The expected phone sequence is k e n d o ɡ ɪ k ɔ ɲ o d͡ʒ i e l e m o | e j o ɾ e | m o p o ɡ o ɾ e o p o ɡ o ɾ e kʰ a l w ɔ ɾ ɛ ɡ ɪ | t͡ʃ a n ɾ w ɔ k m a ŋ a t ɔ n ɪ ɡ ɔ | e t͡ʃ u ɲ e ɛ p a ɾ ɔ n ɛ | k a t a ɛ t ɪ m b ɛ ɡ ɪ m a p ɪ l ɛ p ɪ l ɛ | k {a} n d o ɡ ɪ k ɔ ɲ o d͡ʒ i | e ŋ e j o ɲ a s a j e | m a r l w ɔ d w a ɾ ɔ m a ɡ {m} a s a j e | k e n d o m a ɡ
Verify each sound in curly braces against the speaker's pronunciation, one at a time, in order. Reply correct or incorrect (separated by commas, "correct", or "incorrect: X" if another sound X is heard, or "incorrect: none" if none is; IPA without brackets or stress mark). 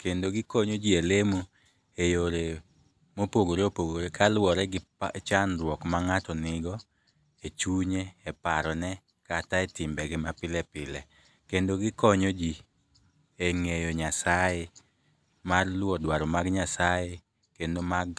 incorrect: e, incorrect: ɲ